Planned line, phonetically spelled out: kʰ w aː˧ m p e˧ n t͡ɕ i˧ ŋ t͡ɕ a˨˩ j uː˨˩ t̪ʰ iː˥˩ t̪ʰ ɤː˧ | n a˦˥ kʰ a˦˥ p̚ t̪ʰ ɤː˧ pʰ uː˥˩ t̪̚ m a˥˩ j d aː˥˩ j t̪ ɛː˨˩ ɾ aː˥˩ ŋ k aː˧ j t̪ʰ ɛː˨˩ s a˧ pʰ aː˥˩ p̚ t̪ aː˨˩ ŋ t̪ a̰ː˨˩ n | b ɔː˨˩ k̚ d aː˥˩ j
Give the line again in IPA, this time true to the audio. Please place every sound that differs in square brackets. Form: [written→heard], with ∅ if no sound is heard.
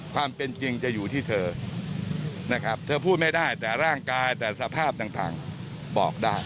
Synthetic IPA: kʰ w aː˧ m p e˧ n t͡ɕ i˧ ŋ t͡ɕ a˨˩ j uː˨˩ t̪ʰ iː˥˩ t̪ʰ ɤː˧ | n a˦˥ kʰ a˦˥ p̚ t̪ʰ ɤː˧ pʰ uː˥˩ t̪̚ m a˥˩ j d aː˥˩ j t̪ ɛː˨˩ ɾ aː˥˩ ŋ k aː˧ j [t̪ʰ→t̪] ɛː˨˩ s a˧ pʰ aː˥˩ p̚ t̪ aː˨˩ ŋ t̪ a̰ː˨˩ [n→ŋ] | b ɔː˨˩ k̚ d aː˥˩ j